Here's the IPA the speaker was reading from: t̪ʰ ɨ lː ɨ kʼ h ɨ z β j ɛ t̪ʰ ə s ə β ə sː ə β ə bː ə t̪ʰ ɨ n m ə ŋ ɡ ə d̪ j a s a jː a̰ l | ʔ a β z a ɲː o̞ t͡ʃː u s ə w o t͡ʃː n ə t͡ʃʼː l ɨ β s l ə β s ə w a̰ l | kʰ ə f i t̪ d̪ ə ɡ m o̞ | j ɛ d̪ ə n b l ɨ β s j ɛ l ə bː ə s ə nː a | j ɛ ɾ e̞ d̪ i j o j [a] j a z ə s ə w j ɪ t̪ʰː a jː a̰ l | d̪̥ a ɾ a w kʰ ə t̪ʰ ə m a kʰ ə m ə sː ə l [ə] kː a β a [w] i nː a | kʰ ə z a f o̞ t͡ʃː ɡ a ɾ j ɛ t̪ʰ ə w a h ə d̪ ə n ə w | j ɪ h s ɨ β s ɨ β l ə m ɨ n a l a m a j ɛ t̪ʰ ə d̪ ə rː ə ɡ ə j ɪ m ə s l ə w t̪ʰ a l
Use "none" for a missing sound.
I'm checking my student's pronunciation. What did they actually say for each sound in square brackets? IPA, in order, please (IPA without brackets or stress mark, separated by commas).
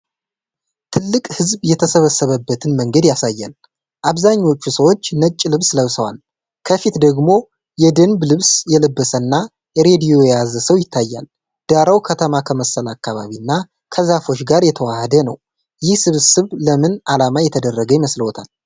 ɛ, a, β